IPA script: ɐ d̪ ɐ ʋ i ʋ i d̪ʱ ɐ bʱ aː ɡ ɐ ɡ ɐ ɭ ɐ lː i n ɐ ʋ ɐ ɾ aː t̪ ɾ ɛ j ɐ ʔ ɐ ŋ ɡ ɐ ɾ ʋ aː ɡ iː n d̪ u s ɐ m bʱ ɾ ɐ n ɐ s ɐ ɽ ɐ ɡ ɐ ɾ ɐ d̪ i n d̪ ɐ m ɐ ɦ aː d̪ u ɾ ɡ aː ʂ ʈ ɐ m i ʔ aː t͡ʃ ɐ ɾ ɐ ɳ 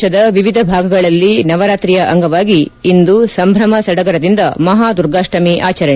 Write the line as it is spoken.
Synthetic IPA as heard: ɐ d̪ ɐ ʋ i ʋ i d̪ʱ ɐ bʱ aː ɡ ɐ ɡ ɐ ɭ ɐ lː i n ɐ ʋ ɐ ɾ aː t̪ ɾ i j ɐ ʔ ɐ ŋ ɡ ɐ ʋ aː ɡ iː n d̪ u s ɐ m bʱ ɾ ɐ m ɐ s ɐ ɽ ɐ ɡ ɐ ɾ ɐ d̪ i n d̪ ɐ m ɐ ɦ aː d̪ u ɾ ɡ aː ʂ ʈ ɐ m i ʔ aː t͡ʃ ɐ ɾ ɐ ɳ

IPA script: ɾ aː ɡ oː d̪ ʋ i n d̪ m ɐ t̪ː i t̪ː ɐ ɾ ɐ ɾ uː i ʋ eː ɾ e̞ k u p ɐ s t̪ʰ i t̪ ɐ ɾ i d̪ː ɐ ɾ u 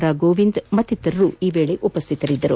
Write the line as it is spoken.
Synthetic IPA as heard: ɾ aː ɡ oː ʋ i n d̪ m ɐ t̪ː i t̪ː ɐ ɾ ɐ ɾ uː iː ʋ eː ɭ e̞ ʔ u p ɐ s t̪ʰ i t̪ ɐ ɾ i d̪ː ɐ ɾ u

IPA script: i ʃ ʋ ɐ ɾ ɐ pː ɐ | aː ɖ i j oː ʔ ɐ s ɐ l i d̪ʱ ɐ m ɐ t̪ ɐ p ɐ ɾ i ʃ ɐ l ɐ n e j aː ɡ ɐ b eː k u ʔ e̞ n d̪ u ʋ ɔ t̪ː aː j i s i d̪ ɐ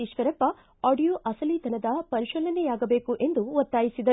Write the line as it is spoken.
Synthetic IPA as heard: i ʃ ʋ ɐ ɾ ɐ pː ɐ | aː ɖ i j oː ʔ ɐ s ɐ l i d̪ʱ ɐ n ɐ d̪ ɐ p ɐ ɾ i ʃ ɐ l ɐ n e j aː ɡ ɐ b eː k u ʔ e̞ n d̪ u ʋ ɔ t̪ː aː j i s i d̪ ɐ

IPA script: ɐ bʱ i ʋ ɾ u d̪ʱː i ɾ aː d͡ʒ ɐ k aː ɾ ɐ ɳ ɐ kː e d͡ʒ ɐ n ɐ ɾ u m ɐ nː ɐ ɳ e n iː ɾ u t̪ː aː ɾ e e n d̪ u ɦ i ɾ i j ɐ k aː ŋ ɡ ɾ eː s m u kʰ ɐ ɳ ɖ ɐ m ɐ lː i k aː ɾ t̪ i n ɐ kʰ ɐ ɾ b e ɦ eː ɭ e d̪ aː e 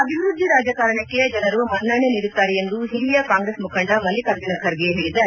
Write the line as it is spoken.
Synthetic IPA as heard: ɐ bʱ i ʋ ɾ u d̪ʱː i ɾ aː d͡ʒ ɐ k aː ɾ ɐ ɳ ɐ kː e d͡ʒ ɐ n ɐ ɾ u m ɐ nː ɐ ɳ e n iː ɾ u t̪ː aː ɾ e e n d̪ u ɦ i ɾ i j ɐ k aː ŋ ɡ ɾ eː s m u kʰ ɐ ɳ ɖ ɐ m ɐ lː i k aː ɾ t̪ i n ɐ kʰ ɐ ɾ ɡ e ɦ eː ɭ i d̪ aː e

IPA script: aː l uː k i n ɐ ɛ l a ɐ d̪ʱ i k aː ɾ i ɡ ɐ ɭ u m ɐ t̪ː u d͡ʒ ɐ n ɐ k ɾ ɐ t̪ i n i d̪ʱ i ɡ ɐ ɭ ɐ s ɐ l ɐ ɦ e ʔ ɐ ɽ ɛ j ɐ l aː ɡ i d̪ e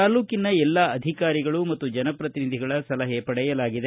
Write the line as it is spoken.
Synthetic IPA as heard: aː l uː k i n ɐ ɛ lː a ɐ d̪ʱ i k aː ɾ i ɡ ɐ ɭ u m ɐ t̪ː u d͡ʒ ɐ n ɐ p ɾ ɐ t̪ i n i d̪ʱ i ɡ ɐ ɭ ɐ s ɐ l ɐ ɦ e p ɐ ɽ ɛ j ɐ l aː ɡ i d̪ e

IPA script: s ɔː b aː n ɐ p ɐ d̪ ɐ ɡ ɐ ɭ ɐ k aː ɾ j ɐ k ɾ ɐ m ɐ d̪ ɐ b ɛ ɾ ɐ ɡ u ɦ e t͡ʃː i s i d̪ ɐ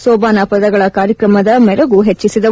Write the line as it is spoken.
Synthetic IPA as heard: s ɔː b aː n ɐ p ɐ d̪ ɐ ɡ ɐ ɭ ɐ k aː ɾ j ɐ k ɾ ɐ m ɐ d̪ ɐ m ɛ ɾ ɐ ɡ u ɦ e t͡ʃː i s i d̪ ɐ

